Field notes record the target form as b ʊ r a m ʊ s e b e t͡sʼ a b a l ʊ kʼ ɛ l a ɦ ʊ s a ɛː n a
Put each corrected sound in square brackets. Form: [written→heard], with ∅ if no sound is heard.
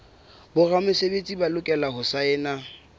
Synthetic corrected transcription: b ʊ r a m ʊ s e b e t͡sʼ [a→i] b a l ʊ kʼ ɛ l a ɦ ʊ s a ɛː n a

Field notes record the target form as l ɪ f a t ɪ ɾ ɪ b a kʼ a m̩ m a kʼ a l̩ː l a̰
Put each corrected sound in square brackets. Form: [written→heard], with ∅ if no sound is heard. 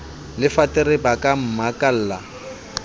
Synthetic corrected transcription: l ɪ f a t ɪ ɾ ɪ b a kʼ a m̩ m a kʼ a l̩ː l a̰

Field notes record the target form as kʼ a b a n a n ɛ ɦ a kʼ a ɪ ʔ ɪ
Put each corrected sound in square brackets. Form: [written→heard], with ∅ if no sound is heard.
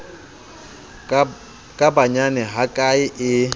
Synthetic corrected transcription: kʼ a b a [n→ɲ] a n ɛ ɦ a kʼ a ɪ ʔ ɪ

